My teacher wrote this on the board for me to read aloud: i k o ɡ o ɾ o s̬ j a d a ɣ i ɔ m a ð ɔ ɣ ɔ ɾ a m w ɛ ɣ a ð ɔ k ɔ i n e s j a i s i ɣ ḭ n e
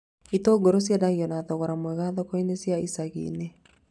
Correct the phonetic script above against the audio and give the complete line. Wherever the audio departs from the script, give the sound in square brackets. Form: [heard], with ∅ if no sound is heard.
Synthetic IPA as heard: i [t] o ɡ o ɾ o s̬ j a d a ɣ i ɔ [n] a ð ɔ ɣ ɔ ɾ a m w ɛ ɣ a ð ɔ k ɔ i n e s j a i s [a] ɣ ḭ n e